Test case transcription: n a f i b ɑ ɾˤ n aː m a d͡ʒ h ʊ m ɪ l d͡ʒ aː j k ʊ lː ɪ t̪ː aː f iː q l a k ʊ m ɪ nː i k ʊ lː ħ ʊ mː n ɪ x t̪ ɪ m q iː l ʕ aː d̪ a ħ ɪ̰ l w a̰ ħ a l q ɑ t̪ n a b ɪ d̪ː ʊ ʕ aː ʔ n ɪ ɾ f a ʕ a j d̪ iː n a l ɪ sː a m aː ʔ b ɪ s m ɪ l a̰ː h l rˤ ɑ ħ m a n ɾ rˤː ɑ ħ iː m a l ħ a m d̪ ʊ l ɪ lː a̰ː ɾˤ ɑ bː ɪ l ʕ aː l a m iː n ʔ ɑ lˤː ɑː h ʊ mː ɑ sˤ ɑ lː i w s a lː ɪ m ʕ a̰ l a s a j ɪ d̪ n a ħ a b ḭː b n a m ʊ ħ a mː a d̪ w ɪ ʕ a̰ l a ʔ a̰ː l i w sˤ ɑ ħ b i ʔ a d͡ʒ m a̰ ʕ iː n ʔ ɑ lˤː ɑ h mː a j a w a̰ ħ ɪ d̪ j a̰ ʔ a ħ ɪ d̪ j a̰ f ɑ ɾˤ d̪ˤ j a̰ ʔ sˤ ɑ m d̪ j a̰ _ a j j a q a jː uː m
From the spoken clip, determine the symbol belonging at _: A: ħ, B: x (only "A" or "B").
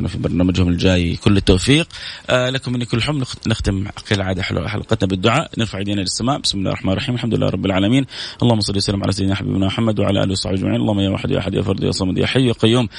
A